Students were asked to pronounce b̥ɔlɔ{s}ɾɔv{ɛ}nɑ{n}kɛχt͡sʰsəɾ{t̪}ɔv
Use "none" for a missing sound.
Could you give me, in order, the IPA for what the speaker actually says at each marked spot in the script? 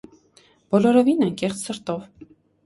none, i, ŋ, t̪

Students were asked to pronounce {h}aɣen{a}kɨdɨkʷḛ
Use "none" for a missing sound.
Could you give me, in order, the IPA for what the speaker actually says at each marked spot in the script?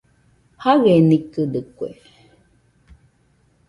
h, i

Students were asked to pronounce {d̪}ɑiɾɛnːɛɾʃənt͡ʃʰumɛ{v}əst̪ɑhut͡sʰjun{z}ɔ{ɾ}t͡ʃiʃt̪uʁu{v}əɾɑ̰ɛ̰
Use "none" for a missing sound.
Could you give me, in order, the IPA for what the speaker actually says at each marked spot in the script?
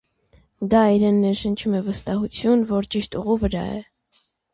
d̪, v, v, ɾ, v

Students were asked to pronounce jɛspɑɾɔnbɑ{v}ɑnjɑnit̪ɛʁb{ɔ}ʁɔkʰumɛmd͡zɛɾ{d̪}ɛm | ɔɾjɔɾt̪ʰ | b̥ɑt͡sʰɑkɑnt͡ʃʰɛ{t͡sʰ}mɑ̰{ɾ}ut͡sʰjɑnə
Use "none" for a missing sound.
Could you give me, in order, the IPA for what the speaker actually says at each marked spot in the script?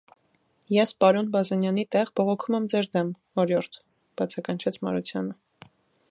z, ɔ, d̪, t͡sʰ, ɾ

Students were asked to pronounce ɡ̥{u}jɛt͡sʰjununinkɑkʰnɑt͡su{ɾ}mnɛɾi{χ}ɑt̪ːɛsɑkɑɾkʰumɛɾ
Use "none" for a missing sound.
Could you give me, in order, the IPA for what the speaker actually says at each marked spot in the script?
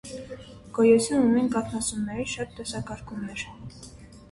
ɔ, none, ʃ

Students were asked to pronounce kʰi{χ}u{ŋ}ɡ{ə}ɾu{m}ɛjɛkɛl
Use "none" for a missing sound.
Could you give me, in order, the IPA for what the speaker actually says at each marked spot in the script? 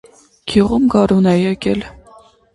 ʁ, m, ɑ, n

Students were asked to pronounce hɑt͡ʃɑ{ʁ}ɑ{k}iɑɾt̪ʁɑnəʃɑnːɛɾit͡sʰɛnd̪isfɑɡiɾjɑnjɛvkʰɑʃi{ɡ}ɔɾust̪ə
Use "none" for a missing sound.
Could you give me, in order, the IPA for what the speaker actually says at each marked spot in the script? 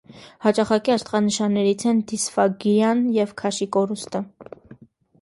χ, k, k

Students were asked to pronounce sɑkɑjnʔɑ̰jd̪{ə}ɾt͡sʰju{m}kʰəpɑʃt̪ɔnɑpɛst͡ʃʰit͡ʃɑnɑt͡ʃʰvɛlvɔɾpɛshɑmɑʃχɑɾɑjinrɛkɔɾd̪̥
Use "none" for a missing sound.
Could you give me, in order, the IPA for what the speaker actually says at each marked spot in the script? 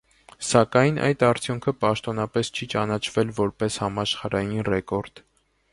ɑ, ŋ

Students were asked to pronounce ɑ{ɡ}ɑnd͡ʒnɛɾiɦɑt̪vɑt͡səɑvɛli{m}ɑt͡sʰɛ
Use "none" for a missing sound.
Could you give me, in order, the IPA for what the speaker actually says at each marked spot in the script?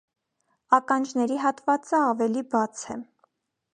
k, b

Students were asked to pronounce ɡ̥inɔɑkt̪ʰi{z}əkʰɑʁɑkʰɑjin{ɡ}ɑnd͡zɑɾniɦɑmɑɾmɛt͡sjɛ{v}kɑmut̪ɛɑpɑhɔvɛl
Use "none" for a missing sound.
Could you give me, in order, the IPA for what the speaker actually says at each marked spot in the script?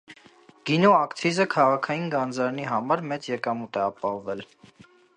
z, ɡ, none

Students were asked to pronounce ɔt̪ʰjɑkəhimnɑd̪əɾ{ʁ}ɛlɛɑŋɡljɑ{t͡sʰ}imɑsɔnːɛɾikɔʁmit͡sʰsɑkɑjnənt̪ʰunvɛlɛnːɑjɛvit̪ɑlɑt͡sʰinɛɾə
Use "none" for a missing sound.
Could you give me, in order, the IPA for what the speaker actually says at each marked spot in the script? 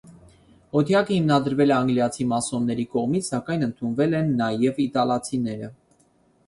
v, t͡sʰ

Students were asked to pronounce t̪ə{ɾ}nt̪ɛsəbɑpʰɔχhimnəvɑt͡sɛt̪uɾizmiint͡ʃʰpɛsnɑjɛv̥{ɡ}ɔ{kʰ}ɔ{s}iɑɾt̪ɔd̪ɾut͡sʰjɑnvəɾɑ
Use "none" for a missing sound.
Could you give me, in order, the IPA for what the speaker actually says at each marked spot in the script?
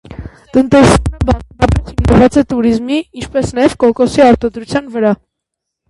none, k, k, s

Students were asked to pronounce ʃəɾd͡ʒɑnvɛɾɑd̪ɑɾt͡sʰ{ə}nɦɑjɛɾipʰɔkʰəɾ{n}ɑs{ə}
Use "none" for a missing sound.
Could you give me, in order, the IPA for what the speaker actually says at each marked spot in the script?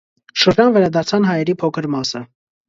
ɑ, m, ə

